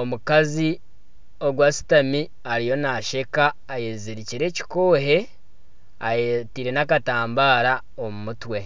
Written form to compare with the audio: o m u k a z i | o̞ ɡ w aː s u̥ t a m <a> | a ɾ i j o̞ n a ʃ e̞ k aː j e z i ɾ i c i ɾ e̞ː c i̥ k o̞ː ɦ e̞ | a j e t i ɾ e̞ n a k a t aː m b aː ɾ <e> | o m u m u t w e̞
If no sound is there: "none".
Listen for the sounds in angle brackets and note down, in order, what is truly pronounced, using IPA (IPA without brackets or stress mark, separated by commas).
i, a